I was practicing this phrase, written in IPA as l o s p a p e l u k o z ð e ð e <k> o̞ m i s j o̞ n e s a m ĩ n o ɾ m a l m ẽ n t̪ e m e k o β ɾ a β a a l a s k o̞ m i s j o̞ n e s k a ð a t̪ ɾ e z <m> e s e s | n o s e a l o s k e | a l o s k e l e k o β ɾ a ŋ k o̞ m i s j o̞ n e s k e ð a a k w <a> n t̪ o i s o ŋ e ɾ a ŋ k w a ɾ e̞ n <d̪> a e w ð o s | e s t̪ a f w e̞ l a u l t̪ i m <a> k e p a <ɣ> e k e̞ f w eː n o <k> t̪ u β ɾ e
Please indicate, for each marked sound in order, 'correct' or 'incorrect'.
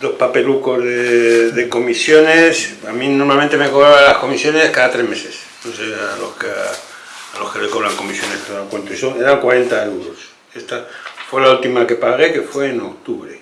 correct, correct, incorrect, incorrect, correct, correct, correct

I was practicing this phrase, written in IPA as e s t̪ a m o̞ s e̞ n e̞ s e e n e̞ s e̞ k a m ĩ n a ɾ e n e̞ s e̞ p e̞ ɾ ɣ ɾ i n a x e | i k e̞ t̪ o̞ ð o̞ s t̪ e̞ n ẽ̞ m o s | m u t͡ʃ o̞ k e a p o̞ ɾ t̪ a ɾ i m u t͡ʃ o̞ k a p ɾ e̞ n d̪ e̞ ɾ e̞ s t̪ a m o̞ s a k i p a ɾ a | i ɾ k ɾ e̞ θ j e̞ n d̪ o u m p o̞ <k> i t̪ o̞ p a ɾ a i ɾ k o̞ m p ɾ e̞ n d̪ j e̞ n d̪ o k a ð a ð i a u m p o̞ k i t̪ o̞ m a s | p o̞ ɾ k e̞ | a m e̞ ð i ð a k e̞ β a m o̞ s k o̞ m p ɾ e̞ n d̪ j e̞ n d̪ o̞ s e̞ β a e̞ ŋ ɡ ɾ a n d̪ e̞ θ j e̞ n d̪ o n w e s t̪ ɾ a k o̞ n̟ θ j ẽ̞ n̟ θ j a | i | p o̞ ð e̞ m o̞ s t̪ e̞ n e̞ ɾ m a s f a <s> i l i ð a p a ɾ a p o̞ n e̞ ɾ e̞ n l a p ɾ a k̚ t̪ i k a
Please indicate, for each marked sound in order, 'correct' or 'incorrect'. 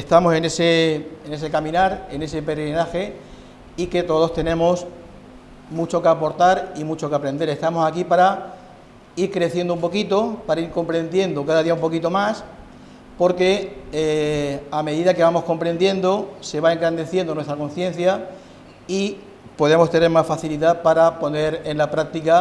correct, incorrect

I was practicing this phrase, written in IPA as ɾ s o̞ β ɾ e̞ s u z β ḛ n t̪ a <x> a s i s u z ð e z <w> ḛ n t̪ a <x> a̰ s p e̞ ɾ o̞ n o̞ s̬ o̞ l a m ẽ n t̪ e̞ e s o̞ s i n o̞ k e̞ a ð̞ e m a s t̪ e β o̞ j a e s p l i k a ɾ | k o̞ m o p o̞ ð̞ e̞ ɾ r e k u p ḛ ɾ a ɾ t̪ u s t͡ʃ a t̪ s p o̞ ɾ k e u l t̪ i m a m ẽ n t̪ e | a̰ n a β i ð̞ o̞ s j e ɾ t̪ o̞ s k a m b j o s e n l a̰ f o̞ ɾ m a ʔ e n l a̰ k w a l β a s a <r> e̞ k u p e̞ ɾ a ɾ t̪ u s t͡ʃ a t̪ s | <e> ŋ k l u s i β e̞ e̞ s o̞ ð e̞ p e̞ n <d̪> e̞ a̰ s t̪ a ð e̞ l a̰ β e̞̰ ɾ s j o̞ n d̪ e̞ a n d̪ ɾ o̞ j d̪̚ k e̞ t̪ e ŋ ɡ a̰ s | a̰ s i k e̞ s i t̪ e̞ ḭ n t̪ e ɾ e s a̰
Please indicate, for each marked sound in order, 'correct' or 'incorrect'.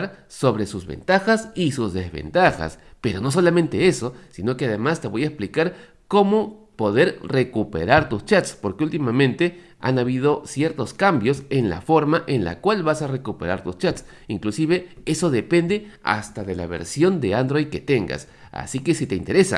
correct, incorrect, correct, correct, incorrect, correct

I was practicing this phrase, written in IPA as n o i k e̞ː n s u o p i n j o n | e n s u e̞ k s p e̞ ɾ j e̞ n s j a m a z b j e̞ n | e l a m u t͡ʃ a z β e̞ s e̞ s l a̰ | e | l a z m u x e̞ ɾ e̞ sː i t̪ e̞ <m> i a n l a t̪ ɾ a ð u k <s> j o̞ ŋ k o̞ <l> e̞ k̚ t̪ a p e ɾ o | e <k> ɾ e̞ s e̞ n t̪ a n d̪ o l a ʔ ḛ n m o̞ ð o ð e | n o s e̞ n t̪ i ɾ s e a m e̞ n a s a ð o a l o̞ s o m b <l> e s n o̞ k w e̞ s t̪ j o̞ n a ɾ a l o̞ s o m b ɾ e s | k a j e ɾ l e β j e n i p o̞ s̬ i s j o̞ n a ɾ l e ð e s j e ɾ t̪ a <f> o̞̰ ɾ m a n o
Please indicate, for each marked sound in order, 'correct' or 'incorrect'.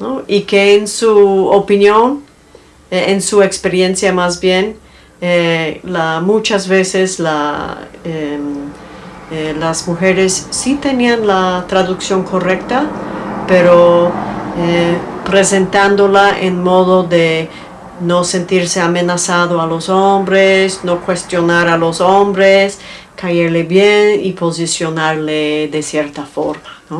incorrect, correct, incorrect, incorrect, incorrect, correct

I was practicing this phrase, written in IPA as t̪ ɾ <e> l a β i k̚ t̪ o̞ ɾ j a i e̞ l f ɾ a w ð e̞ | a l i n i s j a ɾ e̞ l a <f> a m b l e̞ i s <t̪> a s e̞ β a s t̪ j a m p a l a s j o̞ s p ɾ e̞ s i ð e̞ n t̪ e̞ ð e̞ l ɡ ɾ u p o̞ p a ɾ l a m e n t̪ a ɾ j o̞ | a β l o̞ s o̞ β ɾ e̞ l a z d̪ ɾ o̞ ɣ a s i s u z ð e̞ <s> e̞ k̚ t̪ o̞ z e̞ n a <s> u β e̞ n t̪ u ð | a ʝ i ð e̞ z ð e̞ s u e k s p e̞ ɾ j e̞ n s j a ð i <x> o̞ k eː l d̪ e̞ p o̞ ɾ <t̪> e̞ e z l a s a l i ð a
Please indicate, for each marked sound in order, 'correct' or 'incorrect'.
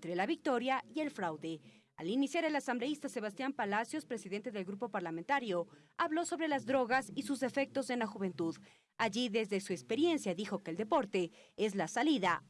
correct, incorrect, correct, incorrect, incorrect, correct, correct

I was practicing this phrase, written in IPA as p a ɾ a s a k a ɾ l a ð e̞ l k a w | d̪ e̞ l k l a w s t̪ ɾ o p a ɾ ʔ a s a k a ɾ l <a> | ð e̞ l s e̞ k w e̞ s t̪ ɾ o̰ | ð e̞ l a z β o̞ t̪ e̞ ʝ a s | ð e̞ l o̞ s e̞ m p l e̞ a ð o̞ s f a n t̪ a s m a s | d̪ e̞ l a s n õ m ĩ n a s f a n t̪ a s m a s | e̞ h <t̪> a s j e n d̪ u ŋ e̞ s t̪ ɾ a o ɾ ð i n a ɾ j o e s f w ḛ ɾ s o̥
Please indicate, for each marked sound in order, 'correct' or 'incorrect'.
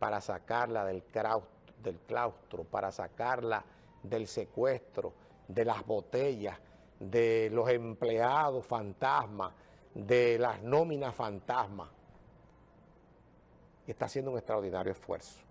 correct, correct

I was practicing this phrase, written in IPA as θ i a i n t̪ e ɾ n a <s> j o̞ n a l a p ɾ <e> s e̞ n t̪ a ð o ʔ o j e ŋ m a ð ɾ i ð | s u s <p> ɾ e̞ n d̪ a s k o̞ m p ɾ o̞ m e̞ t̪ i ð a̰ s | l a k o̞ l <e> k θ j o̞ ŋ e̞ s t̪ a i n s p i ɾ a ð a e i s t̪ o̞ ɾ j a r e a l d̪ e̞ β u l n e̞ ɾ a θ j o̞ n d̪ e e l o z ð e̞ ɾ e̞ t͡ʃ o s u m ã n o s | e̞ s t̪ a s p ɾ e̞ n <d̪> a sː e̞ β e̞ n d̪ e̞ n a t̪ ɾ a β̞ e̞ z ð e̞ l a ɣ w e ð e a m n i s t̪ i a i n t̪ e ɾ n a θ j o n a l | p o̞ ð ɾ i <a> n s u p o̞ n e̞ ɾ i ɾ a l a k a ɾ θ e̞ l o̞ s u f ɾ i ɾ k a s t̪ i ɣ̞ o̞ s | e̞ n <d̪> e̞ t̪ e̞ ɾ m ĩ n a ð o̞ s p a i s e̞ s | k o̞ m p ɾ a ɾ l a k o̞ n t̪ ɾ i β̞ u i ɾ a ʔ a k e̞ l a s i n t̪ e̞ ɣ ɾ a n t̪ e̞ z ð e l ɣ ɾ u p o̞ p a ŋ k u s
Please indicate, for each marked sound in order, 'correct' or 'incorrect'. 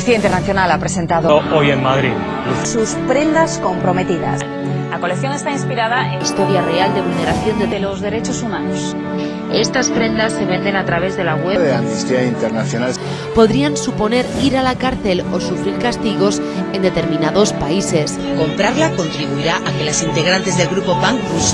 incorrect, correct, correct, correct, correct, correct, correct

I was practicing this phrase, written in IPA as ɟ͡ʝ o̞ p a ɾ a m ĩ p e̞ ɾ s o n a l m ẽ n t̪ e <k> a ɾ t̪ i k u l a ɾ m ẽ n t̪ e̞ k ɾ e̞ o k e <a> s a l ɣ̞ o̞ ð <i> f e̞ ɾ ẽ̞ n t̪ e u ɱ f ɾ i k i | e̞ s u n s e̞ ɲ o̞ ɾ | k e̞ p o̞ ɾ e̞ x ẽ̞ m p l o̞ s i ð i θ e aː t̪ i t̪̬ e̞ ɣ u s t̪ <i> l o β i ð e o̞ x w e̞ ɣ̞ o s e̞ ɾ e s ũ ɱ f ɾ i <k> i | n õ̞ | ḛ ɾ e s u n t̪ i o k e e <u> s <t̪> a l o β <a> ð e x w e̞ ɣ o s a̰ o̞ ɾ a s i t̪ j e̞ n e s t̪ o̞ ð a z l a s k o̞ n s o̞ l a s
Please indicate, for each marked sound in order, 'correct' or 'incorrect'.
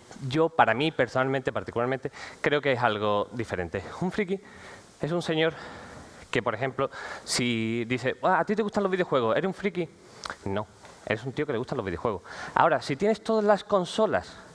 incorrect, incorrect, correct, incorrect, correct, correct, correct, incorrect

